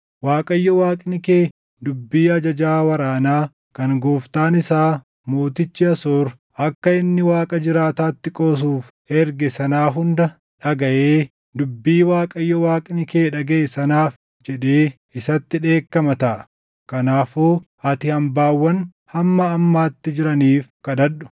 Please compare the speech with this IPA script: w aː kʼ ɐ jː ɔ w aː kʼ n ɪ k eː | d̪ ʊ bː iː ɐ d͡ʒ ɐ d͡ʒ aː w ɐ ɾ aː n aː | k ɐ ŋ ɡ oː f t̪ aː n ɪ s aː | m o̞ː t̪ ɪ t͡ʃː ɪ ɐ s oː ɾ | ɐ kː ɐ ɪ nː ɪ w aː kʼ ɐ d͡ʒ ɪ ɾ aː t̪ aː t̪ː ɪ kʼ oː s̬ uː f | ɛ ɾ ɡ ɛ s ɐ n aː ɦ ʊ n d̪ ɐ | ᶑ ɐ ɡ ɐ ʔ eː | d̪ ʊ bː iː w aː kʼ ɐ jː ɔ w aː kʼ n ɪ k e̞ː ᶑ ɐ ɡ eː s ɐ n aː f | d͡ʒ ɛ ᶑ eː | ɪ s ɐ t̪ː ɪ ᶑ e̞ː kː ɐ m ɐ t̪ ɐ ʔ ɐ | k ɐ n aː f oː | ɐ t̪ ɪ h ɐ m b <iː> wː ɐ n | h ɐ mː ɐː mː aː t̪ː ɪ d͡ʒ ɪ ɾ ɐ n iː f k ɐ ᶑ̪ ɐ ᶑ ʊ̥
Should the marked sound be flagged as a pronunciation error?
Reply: yes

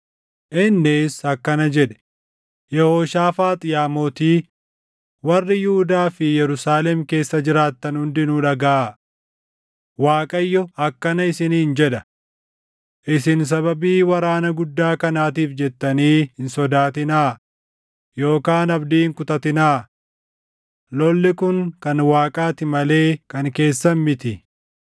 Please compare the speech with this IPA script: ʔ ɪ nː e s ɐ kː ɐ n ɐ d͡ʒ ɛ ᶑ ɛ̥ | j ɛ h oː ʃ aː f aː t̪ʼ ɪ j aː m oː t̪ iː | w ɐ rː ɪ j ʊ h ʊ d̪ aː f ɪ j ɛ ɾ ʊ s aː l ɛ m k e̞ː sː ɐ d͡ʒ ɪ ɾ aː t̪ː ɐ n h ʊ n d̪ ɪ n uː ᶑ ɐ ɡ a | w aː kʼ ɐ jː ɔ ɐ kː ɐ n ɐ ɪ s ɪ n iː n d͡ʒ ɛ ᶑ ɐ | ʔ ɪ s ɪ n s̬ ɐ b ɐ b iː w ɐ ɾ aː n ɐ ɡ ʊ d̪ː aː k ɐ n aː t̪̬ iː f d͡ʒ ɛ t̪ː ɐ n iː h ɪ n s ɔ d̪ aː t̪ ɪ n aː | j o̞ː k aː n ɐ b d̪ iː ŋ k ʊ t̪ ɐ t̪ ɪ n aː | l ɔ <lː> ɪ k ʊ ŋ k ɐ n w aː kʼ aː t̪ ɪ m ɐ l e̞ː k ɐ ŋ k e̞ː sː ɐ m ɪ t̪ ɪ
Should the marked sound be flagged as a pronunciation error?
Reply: no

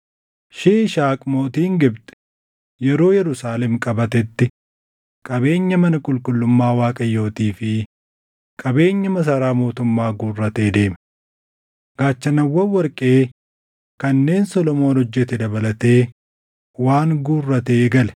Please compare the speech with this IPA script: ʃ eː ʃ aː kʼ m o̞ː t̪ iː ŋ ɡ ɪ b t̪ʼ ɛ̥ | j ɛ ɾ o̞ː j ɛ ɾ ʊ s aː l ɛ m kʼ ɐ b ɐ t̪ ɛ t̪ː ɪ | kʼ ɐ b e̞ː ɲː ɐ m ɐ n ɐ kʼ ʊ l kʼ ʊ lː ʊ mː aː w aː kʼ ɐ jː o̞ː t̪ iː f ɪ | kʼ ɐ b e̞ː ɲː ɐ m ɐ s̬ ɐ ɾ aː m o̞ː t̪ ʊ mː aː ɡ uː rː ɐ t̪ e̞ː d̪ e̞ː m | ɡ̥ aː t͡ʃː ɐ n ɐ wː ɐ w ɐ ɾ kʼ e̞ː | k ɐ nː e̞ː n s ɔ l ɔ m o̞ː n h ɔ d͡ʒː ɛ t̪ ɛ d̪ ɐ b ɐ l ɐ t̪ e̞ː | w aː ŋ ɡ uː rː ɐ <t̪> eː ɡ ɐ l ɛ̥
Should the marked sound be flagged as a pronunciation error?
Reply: no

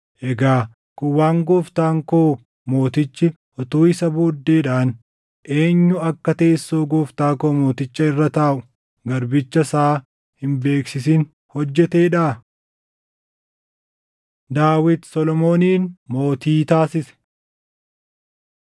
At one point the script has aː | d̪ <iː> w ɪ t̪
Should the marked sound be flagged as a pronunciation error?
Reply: yes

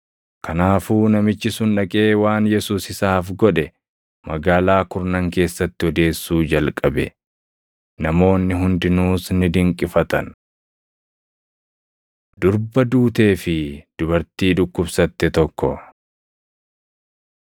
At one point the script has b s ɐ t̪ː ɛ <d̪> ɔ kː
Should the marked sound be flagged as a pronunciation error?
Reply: yes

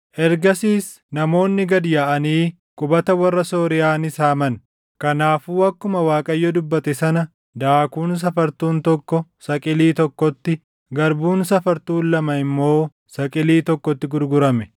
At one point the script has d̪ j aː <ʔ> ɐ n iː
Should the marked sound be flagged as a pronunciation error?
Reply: no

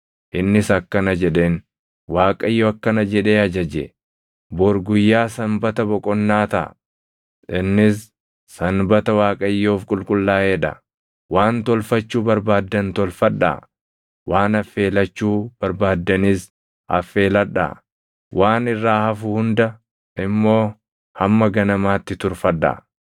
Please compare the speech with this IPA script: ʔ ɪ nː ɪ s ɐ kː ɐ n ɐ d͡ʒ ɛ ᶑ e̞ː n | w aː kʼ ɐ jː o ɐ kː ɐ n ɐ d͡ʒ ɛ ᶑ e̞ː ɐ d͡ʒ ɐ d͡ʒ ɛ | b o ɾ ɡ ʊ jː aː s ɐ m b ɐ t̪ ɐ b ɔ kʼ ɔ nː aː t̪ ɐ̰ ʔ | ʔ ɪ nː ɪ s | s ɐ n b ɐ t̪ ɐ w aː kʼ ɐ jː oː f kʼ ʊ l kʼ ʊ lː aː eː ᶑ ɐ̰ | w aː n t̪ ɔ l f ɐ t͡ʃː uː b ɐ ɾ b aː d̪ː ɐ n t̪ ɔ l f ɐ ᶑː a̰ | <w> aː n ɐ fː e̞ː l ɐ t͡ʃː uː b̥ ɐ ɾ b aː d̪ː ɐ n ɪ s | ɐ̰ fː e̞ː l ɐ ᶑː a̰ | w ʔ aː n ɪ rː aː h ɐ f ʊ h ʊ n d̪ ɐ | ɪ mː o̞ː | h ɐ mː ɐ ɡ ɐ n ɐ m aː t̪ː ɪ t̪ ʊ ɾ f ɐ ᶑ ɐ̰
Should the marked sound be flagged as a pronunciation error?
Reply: no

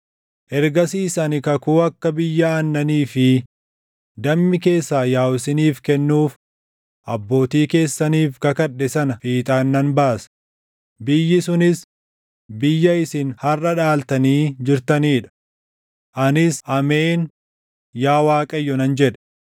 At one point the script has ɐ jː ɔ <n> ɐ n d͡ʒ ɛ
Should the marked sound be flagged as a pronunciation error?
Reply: no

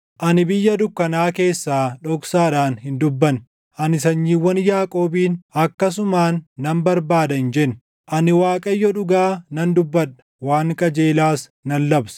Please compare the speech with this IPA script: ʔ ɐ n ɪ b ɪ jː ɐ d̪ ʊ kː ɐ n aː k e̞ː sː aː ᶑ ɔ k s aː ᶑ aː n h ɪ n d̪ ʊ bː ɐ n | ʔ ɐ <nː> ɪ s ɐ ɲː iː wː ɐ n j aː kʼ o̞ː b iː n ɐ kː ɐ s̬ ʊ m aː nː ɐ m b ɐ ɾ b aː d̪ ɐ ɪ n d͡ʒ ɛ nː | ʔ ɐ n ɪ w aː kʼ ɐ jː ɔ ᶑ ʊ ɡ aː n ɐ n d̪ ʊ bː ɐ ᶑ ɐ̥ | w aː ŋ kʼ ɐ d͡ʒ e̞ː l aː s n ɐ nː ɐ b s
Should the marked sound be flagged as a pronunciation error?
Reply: yes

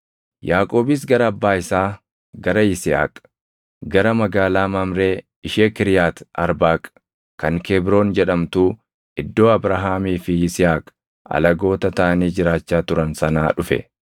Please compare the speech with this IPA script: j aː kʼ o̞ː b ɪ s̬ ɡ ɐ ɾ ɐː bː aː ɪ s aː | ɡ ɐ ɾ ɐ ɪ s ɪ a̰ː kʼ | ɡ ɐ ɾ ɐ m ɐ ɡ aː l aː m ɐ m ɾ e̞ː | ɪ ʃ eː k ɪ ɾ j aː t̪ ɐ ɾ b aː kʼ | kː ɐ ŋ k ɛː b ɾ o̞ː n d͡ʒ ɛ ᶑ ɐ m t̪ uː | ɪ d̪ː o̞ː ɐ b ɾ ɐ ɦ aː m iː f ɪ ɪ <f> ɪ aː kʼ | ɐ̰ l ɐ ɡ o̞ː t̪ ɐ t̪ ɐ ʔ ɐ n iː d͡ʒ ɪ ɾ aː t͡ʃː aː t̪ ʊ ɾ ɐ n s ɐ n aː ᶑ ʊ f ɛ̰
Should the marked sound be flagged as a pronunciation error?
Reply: yes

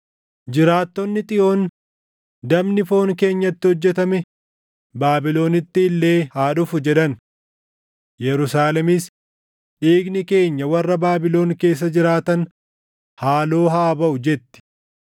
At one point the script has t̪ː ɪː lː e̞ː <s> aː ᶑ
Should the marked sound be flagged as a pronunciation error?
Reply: yes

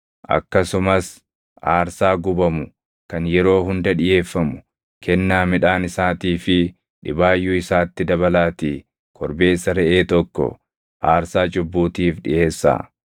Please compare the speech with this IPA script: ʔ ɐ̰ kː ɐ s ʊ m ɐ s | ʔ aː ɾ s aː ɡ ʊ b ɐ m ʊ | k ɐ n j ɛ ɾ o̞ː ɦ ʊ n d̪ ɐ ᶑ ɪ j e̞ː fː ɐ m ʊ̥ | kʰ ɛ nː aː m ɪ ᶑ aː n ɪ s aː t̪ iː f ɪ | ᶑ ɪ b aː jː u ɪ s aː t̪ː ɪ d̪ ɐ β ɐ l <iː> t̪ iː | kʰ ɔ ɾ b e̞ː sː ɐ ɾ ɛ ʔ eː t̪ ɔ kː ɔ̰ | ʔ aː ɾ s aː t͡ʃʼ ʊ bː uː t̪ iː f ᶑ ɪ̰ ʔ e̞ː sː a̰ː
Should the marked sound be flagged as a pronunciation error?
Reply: yes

